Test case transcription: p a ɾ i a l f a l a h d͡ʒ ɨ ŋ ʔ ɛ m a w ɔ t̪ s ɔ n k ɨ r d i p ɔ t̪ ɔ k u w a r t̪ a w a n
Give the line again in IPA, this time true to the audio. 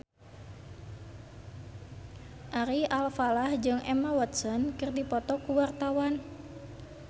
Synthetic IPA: ʔ a ɾ i a l f a l a h d͡ʒ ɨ ŋ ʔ ɛ m a w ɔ t̪ s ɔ n k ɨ r d i p ɔ t̪ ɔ k u w a r t̪ a w a n